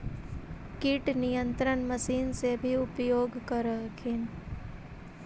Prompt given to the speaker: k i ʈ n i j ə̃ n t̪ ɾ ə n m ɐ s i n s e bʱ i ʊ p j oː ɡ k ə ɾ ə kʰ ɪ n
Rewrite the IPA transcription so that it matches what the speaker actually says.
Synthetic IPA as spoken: k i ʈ n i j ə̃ n t̪ ɾ ə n m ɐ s iː n s e bʱ i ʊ p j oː ɡ k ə ɾ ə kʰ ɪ n